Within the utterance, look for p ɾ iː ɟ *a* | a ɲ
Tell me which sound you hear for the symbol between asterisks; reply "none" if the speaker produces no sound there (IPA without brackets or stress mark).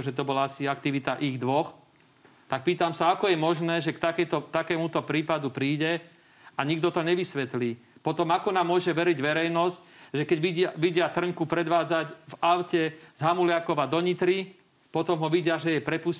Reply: ɛ